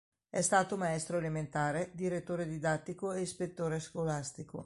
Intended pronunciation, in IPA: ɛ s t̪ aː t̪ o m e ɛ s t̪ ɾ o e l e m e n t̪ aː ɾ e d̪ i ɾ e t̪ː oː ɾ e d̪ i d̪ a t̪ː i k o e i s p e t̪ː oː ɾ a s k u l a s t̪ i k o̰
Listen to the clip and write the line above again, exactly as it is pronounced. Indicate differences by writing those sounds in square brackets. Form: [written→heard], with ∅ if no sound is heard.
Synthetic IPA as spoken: ɛ s t̪ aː t̪ o m [e→a] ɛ s t̪ ɾ o e l e m e n t̪ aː ɾ e d̪ i ɾ e t̪ː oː ɾ e d̪ i d̪ a t̪ː i k o e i s p e t̪ː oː ɾ [a→e] s k [u→o] l a s t̪ i k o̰